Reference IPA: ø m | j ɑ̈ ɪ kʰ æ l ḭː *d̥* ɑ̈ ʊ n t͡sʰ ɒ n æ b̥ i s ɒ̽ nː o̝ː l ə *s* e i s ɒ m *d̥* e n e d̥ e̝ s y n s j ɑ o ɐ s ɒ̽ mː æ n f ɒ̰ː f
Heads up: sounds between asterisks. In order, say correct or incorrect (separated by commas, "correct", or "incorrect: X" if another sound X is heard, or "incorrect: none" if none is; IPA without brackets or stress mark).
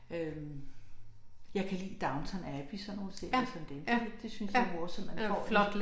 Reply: correct, correct, correct